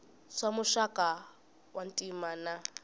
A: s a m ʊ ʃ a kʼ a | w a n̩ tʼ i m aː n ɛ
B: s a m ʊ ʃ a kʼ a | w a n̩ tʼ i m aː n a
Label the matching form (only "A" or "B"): B